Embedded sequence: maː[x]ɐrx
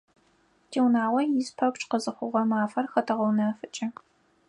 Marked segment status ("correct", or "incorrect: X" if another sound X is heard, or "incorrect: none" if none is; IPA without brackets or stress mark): incorrect: f